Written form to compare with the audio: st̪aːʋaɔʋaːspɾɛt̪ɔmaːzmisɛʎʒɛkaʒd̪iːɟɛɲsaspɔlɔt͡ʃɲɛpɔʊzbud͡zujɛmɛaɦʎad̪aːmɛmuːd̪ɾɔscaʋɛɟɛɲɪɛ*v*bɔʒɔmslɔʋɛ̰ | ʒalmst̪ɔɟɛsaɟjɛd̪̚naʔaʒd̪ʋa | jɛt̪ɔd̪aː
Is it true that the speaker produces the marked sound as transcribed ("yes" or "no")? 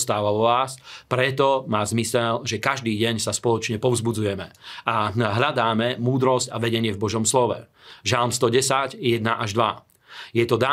yes